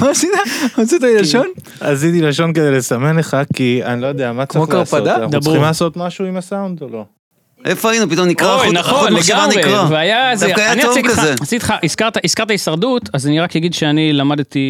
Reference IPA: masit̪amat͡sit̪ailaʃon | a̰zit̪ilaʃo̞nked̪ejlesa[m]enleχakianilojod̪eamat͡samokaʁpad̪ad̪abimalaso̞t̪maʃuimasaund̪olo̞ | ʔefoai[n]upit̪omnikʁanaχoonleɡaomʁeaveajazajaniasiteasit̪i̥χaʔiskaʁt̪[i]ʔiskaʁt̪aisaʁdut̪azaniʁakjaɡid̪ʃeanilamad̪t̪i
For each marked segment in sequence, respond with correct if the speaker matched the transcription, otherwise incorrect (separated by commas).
correct, correct, incorrect